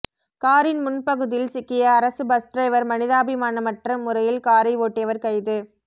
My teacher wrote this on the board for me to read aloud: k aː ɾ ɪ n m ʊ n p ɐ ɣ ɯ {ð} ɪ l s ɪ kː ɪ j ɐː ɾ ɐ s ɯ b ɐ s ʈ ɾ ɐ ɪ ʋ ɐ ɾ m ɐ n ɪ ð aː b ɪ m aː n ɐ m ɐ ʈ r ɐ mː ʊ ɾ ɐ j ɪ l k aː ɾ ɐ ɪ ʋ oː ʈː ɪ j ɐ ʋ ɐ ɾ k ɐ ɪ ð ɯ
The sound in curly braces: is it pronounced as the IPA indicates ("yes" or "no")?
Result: yes